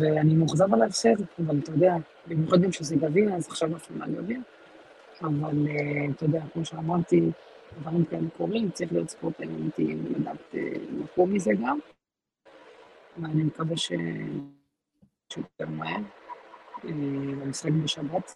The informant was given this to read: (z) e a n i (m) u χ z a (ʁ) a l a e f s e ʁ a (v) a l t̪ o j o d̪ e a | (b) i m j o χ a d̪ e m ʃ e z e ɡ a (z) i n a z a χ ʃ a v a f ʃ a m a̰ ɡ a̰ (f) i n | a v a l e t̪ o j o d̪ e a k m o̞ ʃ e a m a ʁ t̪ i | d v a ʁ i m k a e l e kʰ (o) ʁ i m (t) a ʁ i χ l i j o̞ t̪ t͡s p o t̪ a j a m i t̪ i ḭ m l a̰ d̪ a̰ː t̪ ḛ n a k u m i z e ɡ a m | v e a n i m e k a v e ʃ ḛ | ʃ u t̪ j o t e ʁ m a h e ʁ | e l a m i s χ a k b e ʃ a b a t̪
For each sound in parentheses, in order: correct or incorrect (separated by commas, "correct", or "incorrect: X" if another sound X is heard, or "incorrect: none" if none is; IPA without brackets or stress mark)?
incorrect: v, correct, incorrect: v, correct, correct, incorrect: v, incorrect: v, correct, incorrect: t͡s